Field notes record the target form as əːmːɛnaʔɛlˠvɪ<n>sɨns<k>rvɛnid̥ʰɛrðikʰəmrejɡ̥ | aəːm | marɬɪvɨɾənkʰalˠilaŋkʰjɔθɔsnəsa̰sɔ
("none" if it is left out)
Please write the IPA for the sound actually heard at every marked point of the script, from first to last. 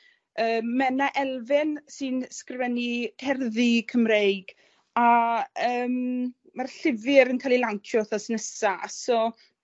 n, k

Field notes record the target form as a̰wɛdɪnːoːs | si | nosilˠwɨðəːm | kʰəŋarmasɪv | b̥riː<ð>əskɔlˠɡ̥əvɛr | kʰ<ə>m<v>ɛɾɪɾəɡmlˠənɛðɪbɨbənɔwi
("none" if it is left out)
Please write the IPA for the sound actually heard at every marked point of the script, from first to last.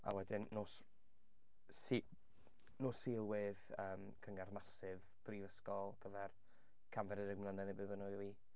v, a, v

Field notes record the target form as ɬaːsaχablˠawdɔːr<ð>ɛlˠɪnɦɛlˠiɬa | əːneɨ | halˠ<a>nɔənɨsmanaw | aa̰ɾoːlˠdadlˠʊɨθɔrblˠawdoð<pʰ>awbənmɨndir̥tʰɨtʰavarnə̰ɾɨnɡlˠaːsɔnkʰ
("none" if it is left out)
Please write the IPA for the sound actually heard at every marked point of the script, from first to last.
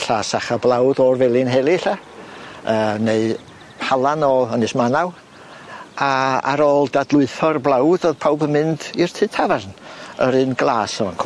v, a, pʰ

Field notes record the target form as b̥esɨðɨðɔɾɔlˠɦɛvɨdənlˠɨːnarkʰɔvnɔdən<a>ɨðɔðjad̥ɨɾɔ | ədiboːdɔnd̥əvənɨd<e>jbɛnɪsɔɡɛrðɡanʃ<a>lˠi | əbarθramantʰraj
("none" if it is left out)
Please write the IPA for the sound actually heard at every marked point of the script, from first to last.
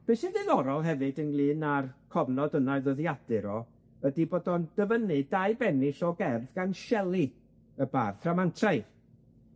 a, a, ɛ

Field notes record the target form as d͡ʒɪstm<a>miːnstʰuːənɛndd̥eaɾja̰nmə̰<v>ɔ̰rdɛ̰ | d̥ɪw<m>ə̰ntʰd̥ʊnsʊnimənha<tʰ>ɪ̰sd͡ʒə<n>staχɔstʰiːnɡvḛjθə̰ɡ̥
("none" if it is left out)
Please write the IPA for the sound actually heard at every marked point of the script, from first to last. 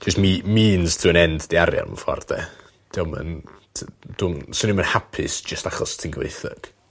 i, f, m, pʰ, none

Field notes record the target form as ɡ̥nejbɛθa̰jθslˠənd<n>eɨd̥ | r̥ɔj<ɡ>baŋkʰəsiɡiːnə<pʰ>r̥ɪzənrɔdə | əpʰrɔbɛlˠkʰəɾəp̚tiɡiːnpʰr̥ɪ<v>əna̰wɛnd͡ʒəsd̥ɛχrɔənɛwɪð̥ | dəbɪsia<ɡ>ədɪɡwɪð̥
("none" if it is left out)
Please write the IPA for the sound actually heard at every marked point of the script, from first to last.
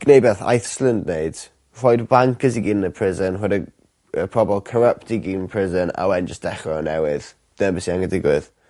n, d, pʰ, z, ŋ

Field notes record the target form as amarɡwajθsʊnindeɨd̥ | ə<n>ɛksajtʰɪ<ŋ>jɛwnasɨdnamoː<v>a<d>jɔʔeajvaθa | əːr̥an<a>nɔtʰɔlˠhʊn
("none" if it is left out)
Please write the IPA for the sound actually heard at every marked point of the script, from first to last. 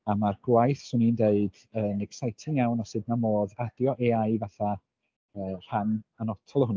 n, ŋ, ð, d, a

